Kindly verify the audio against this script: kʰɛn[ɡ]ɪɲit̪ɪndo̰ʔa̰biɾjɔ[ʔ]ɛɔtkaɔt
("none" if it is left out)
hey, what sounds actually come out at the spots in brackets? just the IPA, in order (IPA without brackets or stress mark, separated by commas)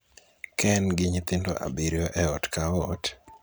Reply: ɡ, ʔ